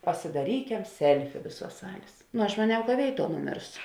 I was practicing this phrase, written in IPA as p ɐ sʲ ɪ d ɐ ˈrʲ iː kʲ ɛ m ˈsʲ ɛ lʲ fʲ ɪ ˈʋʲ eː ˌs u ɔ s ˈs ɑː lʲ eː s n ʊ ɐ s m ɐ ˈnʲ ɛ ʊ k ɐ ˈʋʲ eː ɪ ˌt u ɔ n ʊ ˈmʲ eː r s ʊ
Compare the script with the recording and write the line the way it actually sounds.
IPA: p ɐ sʲ ɪ d ɐ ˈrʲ iː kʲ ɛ m ˈsʲ ɛ lʲ fʲ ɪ ˈʋʲ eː ˌs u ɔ s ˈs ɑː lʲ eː s n ʊ ɐ ʃ m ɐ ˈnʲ ɛ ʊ k ɐ ˈʋʲ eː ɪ ˌt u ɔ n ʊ ˈmʲ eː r s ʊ